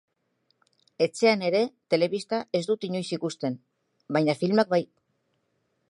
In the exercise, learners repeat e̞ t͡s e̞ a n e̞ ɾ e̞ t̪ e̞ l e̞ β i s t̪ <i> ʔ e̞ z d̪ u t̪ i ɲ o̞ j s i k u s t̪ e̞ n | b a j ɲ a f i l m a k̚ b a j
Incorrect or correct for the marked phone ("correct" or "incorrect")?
incorrect